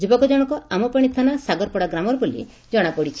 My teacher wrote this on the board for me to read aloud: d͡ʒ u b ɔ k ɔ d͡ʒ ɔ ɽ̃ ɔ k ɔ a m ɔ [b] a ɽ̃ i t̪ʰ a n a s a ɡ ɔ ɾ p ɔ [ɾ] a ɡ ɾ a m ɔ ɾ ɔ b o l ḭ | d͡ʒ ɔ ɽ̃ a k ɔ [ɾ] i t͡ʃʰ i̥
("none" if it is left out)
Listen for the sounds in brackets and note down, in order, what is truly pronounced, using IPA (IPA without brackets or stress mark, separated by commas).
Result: p, ɽ, ɽ